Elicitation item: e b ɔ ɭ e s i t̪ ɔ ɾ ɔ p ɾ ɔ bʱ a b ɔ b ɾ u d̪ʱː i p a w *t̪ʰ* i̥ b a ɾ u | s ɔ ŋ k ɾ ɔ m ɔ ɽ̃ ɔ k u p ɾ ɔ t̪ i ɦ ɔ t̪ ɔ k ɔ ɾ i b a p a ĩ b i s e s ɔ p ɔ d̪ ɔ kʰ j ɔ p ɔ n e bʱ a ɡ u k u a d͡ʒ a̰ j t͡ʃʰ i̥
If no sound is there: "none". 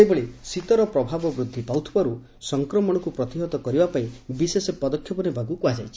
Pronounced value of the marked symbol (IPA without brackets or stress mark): t̪ʰ